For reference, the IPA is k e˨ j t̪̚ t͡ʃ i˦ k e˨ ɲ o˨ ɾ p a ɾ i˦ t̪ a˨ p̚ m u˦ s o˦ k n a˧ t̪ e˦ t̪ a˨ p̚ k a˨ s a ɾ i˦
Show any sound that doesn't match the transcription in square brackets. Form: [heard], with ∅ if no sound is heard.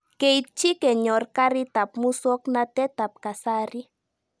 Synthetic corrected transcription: k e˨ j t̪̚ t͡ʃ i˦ k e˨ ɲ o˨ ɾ [k] a ɾ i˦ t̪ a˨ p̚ m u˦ s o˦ k n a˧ t̪ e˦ t̪ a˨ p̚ k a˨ s a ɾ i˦